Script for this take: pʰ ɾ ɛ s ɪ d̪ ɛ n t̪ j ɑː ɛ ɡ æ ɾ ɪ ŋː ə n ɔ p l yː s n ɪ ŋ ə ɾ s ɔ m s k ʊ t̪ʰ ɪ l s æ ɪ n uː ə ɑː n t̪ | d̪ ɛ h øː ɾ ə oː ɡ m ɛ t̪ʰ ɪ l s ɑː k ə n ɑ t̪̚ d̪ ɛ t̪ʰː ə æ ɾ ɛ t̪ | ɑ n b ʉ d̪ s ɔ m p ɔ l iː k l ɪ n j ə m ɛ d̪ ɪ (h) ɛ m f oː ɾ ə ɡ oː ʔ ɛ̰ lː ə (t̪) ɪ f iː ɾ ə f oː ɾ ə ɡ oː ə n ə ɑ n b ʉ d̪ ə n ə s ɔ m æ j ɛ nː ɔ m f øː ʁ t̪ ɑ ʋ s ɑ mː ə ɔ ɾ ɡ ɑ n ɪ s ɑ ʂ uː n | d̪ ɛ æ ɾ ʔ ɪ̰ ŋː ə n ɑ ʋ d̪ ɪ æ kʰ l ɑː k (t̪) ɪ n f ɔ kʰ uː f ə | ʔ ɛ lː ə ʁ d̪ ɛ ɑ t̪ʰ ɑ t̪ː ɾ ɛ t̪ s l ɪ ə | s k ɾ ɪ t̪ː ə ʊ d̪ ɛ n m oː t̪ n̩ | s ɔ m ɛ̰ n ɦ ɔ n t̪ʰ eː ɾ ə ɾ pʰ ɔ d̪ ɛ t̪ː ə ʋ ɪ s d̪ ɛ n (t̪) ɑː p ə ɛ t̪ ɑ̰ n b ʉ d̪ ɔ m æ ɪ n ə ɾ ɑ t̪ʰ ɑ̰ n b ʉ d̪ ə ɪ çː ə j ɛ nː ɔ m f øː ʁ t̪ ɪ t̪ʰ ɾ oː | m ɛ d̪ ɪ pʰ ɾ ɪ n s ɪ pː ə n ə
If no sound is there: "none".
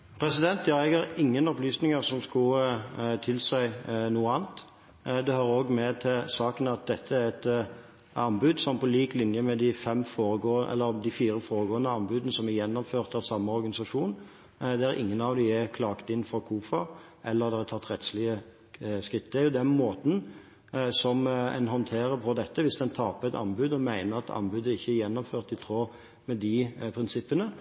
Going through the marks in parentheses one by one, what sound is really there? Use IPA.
f, d̪, t̪, t̪ʰ

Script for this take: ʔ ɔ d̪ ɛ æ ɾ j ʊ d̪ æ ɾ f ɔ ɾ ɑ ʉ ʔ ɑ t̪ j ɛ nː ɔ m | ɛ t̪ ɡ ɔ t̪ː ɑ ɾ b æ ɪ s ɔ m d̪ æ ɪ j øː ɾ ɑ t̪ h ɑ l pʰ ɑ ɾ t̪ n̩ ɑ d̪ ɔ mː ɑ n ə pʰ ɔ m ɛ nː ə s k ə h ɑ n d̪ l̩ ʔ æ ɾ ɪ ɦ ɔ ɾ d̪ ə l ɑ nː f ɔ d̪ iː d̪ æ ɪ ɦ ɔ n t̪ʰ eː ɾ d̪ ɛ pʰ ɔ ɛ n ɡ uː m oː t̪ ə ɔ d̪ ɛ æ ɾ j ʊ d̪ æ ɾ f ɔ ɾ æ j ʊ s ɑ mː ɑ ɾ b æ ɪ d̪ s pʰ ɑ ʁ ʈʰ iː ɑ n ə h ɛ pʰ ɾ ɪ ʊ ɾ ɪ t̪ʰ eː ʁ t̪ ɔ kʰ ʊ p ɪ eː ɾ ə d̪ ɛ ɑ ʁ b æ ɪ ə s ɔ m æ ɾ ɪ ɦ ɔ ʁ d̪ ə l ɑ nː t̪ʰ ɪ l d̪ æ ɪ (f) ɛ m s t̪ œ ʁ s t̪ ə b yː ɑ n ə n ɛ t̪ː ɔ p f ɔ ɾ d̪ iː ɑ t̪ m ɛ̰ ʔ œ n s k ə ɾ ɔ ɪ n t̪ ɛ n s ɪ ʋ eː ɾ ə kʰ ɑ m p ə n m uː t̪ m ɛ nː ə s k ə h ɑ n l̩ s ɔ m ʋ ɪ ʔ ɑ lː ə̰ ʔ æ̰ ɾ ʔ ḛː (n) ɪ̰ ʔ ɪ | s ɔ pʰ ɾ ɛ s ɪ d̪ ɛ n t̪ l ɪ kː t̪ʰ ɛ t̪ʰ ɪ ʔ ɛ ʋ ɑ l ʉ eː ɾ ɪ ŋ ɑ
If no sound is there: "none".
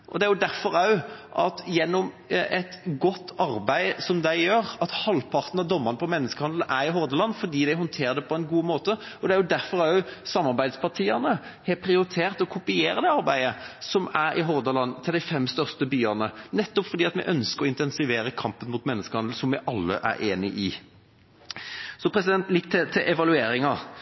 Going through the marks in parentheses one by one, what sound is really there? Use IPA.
f, n

